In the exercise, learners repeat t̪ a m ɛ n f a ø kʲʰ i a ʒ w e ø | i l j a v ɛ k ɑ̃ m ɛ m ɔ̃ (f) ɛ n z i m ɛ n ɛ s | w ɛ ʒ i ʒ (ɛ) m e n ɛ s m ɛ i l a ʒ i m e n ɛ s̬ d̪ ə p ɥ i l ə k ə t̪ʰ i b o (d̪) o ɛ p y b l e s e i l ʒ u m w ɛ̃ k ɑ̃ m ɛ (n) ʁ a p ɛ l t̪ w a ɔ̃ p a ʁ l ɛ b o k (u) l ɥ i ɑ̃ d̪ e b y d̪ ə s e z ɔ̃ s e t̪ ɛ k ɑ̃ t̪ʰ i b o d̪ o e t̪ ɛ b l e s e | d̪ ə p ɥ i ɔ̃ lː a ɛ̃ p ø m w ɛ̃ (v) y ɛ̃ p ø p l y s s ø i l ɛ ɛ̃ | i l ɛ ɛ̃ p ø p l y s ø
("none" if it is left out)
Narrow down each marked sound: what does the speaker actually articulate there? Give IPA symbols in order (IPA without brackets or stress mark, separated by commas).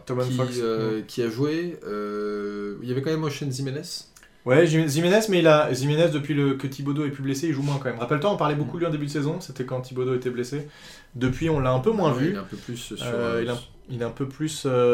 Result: ʃ, i, d̪, m, u, v